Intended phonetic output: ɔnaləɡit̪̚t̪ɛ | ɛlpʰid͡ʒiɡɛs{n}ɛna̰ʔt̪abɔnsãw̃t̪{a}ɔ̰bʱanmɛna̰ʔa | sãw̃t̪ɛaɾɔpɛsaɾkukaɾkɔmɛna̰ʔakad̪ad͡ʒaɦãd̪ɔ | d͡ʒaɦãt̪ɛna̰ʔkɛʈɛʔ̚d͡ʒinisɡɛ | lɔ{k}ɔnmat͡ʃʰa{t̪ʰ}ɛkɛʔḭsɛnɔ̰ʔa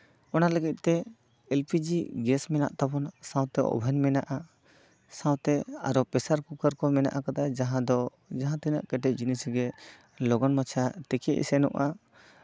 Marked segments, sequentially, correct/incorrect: incorrect: m, incorrect: ɛ, incorrect: ɡ, incorrect: t̪

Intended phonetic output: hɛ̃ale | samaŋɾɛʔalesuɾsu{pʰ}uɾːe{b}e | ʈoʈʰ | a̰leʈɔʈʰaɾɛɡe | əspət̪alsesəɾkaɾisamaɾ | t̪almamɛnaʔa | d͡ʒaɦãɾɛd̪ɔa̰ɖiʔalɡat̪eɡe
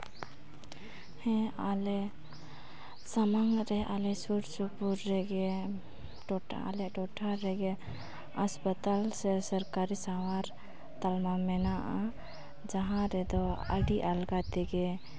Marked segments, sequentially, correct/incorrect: incorrect: p, incorrect: ɡ

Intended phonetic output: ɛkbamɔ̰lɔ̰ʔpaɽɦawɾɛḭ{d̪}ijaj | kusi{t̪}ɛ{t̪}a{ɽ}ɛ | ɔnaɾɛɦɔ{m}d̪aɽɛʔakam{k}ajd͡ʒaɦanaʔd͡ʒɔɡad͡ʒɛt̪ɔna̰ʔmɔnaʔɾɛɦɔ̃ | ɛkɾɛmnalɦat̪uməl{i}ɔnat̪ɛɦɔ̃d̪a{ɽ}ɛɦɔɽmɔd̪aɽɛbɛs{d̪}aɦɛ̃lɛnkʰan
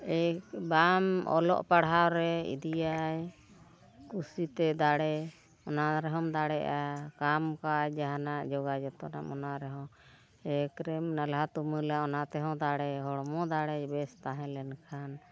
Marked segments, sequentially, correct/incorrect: correct, correct, incorrect: d̪, correct, correct, correct, incorrect: a, correct, incorrect: t̪

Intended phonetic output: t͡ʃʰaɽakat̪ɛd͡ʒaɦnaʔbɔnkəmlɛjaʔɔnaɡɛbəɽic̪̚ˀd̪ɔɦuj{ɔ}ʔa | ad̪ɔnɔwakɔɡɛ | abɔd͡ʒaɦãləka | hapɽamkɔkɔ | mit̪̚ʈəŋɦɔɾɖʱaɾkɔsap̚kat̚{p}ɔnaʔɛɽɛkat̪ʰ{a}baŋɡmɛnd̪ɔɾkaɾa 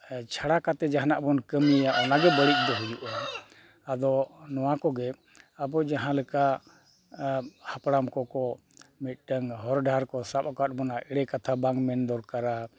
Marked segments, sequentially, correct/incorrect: incorrect: u, incorrect: b, correct

